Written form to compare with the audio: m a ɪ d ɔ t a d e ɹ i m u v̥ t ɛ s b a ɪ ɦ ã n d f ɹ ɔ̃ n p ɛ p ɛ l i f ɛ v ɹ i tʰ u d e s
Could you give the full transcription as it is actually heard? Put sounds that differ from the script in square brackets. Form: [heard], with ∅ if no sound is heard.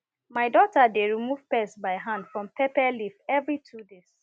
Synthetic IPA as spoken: m a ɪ d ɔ t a d e ɹ i m u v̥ [p] ɛ s b a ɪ ɦ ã n d f ɹ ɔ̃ [m] p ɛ p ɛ l i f ɛ v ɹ i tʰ u d e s